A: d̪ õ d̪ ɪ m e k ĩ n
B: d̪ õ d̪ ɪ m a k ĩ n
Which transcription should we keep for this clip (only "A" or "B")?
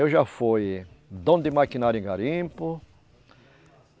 B